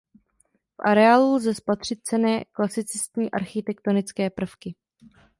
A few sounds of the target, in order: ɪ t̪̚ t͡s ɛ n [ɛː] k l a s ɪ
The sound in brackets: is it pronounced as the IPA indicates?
yes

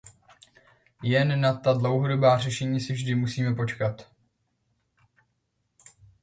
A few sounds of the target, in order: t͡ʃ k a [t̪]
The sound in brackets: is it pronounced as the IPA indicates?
yes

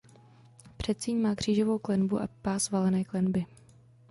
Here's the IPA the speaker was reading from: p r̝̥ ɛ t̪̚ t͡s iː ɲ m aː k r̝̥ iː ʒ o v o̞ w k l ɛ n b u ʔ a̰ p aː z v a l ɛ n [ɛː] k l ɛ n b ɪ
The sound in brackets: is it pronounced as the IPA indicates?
yes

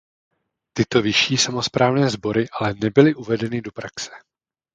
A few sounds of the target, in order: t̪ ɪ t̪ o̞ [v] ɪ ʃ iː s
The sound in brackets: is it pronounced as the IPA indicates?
yes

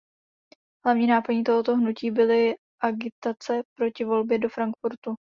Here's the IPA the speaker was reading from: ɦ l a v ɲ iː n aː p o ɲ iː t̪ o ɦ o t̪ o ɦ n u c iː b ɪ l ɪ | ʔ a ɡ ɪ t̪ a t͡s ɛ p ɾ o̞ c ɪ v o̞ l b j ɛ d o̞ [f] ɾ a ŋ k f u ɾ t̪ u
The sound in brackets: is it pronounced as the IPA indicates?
yes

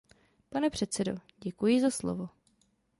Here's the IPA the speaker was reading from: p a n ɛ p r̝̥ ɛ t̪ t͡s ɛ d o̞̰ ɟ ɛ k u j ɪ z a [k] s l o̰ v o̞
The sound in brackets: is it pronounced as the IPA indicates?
no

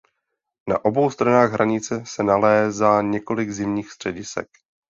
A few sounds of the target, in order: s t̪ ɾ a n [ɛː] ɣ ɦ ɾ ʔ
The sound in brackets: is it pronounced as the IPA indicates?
no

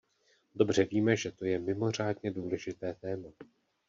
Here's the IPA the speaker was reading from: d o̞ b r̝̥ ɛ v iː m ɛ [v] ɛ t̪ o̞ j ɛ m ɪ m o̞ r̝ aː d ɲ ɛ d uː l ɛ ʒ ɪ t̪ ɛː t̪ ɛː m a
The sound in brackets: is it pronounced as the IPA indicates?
no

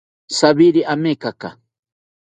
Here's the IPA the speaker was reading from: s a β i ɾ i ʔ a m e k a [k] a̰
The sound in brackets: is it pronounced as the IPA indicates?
yes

